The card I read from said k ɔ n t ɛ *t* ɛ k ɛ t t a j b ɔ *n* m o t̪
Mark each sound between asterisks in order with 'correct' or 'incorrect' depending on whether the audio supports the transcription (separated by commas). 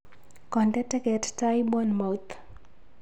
correct, correct